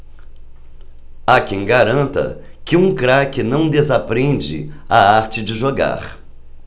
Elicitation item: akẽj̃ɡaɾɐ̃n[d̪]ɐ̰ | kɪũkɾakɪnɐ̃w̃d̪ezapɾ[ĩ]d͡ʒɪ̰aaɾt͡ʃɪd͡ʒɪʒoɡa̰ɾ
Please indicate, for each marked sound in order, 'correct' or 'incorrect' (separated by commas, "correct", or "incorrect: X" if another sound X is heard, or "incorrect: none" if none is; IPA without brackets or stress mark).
incorrect: t̪, incorrect: ẽ